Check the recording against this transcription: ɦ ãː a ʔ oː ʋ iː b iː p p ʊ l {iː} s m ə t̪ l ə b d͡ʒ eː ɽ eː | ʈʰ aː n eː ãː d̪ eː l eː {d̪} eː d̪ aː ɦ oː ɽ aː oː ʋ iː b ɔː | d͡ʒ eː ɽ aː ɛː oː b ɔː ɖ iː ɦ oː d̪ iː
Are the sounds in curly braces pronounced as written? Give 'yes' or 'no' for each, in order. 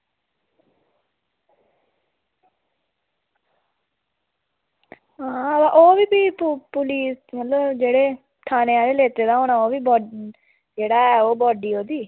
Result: yes, no

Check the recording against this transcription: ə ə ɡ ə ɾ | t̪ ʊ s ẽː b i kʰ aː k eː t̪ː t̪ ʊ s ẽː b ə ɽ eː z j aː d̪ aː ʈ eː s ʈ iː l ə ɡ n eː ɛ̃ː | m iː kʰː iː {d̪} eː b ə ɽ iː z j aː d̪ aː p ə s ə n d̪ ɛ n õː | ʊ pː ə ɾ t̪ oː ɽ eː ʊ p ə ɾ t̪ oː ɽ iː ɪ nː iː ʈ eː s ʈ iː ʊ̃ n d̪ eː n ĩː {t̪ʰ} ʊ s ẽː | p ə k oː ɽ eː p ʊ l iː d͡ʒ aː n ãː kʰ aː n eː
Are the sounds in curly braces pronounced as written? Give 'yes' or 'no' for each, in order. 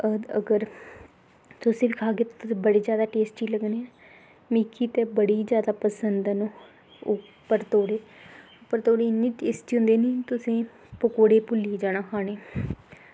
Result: no, no

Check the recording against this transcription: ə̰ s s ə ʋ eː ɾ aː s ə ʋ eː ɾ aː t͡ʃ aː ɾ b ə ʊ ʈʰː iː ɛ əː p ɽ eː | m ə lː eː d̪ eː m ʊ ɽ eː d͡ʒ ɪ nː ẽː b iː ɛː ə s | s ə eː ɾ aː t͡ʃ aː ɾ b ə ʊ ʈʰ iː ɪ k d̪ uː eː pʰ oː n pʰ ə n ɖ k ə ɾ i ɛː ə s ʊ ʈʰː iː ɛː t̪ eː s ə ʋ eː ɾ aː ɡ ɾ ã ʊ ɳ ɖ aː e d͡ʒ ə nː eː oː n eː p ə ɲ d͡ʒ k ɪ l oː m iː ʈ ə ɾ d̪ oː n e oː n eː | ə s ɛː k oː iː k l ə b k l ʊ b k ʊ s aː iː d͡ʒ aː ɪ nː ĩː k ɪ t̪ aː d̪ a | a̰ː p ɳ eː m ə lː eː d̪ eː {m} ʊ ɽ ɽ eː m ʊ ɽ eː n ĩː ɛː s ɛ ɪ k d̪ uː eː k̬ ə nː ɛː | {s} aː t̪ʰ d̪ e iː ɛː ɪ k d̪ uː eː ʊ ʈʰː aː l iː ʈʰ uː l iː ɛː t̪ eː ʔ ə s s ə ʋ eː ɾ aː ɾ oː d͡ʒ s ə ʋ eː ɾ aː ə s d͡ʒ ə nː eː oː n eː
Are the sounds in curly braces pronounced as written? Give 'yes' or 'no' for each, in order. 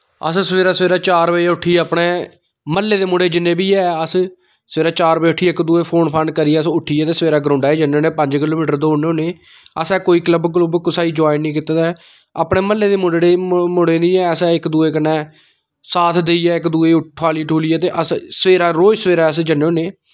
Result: yes, yes

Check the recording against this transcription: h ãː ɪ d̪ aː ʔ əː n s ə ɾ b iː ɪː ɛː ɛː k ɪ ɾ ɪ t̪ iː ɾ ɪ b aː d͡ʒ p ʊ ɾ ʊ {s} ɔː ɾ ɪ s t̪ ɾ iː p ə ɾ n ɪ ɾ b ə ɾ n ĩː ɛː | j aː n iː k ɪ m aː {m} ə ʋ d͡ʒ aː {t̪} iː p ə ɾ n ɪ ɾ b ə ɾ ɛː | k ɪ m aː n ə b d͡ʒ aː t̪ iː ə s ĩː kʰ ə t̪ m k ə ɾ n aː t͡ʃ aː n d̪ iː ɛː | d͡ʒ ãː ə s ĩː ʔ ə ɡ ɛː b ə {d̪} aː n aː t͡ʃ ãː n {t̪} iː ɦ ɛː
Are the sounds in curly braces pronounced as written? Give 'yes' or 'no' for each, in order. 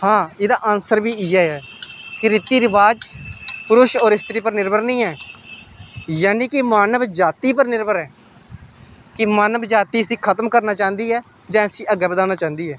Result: no, no, yes, yes, no

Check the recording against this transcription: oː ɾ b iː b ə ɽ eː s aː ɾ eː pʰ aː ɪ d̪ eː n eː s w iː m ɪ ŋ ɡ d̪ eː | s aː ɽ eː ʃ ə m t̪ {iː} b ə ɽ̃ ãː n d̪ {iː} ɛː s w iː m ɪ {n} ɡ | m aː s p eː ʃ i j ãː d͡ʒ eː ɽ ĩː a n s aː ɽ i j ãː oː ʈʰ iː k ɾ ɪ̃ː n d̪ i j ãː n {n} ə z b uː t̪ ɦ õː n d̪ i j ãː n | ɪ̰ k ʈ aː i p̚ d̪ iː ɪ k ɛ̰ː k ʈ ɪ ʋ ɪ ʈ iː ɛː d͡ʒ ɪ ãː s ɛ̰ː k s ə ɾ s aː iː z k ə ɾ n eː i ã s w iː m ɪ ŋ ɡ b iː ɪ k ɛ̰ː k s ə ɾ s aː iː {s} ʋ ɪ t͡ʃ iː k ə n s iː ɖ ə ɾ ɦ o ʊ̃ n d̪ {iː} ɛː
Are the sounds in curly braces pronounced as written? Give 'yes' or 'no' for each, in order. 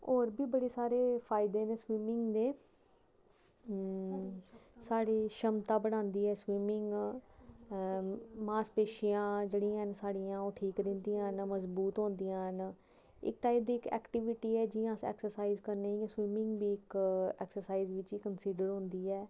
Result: no, yes, no, no, no, yes

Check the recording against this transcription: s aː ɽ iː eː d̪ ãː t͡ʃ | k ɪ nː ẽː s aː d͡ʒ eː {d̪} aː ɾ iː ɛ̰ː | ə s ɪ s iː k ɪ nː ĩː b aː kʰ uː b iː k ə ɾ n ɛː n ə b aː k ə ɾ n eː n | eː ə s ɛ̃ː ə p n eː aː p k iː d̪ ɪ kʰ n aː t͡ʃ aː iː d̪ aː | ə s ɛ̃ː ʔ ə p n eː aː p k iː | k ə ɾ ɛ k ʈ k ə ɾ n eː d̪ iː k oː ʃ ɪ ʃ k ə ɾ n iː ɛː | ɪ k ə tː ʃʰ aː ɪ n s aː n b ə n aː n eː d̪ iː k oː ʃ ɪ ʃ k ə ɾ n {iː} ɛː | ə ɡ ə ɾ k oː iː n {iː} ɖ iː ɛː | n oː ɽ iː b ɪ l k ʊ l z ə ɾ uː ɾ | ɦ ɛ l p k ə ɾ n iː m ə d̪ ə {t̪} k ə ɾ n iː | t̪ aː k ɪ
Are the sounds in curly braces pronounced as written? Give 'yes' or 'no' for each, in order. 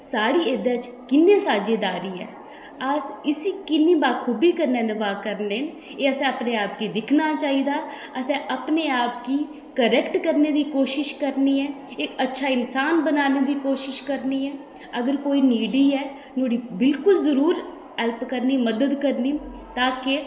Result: yes, yes, yes, no

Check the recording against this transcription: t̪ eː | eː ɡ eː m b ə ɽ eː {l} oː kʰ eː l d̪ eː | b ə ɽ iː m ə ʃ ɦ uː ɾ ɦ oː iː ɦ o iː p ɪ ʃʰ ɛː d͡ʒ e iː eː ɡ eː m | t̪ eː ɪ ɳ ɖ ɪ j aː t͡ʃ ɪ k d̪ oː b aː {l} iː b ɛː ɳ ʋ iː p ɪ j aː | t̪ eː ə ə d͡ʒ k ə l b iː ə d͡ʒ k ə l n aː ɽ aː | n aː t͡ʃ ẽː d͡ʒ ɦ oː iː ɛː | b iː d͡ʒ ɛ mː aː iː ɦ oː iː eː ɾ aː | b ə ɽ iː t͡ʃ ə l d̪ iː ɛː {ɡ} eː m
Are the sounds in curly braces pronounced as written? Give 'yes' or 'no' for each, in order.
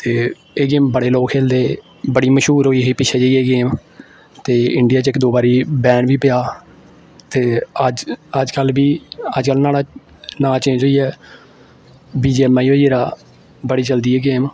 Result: yes, no, yes

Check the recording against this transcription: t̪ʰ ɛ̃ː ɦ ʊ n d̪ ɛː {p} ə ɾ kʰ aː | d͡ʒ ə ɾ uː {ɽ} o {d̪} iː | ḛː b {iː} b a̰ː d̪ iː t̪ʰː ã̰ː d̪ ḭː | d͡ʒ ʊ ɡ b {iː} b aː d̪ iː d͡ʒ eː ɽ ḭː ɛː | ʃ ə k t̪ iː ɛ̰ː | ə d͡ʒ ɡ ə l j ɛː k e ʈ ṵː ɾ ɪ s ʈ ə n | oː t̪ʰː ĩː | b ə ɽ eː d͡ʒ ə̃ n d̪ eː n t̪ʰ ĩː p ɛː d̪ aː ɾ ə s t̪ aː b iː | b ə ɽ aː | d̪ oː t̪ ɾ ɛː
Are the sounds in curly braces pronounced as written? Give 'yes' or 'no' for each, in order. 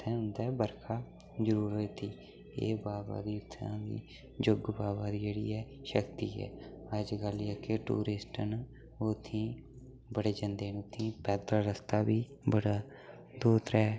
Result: no, no, no, no, no

